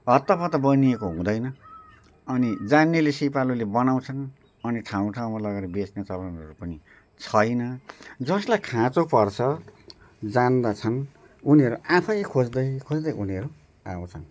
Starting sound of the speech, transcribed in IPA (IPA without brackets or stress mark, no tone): ʌ